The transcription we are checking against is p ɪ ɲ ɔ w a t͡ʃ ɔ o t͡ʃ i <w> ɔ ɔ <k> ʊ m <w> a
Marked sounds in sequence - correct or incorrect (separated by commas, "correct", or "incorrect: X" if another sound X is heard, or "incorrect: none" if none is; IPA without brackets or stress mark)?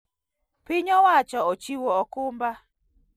correct, correct, incorrect: b